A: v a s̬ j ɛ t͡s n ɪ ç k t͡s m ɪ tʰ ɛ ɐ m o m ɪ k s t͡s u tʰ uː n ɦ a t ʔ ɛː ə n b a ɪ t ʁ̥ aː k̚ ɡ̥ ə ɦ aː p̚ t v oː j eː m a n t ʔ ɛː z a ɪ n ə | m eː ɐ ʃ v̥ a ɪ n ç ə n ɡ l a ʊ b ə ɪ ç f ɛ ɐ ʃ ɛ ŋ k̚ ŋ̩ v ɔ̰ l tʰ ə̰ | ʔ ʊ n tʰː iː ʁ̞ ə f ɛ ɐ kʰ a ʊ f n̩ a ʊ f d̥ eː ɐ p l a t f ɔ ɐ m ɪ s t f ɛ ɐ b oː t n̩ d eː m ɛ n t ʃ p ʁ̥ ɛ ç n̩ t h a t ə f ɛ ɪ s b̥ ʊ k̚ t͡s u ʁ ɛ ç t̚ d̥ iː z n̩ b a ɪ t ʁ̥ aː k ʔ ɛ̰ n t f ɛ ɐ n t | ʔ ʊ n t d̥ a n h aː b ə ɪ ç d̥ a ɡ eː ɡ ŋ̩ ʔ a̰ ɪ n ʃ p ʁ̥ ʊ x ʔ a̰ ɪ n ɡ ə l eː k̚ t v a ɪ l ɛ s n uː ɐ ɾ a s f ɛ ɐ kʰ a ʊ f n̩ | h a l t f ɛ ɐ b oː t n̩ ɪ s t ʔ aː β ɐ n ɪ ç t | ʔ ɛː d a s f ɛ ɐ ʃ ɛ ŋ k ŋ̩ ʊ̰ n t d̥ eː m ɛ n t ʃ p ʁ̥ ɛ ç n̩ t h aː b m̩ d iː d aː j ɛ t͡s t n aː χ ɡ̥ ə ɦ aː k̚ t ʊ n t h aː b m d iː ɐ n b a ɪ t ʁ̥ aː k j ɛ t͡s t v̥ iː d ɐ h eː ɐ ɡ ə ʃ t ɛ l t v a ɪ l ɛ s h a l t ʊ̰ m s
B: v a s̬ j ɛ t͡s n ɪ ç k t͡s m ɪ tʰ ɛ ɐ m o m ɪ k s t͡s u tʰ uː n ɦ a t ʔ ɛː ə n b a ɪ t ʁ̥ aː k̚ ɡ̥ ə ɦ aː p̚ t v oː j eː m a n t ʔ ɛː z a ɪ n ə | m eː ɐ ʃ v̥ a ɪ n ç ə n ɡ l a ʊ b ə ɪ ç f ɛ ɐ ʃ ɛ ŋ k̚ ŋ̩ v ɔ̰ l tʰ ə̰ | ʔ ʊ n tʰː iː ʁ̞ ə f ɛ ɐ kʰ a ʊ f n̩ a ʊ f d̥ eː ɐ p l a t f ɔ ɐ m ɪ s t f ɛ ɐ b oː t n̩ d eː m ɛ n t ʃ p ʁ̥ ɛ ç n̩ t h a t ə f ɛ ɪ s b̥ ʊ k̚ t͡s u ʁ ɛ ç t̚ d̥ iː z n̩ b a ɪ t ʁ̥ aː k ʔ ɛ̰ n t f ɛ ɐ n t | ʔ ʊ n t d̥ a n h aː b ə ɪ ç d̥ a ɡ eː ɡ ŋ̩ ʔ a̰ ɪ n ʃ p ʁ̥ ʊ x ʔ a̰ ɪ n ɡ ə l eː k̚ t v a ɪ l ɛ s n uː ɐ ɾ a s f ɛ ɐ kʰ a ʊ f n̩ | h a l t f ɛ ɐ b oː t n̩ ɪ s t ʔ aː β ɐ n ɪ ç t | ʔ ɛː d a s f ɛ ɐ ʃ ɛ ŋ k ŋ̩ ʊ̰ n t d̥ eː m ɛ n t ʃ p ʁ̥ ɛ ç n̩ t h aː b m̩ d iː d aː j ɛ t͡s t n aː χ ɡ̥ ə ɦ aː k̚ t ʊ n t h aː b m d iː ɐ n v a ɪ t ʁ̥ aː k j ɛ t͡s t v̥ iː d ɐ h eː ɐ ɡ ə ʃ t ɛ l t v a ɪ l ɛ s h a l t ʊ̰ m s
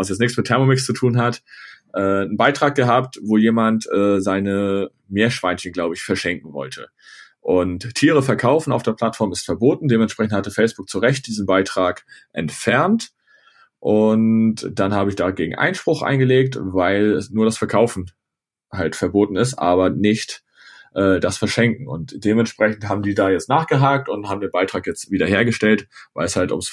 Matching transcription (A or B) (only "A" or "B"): A